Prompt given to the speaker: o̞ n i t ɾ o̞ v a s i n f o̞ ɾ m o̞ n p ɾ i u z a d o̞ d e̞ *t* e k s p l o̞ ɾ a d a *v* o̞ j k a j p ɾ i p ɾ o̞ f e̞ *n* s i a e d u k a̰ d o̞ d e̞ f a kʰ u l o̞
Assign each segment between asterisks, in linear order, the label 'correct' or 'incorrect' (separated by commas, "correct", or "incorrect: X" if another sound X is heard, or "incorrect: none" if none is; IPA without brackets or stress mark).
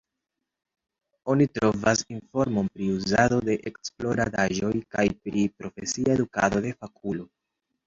incorrect: ʔ, incorrect: ʒ, incorrect: none